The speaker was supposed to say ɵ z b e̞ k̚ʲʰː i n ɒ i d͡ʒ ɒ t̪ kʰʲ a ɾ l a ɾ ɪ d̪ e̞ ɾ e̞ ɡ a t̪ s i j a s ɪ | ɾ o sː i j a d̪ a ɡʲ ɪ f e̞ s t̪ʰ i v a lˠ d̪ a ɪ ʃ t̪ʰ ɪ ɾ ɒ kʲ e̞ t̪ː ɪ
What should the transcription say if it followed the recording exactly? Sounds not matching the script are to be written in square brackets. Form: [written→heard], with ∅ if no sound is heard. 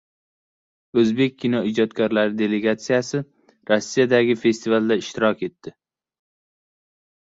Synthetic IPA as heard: ɵ z b e̞ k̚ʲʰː i n ɒ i d͡ʒ ɒ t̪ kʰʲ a ɾ l a ɾ ɪ d̪ e̞ [ɾ→l] e̞ ɡ a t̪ s i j a s ɪ | ɾ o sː i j a d̪ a ɡʲ ɪ f e̞ s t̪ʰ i v a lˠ d̪ a ɪ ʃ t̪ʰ ɪ ɾ ɒ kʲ e̞ t̪ː ɪ